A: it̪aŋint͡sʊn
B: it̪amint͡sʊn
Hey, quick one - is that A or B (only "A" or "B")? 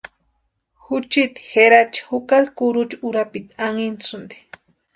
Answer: A